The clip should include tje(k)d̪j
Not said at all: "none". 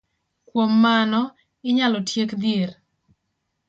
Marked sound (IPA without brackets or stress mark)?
k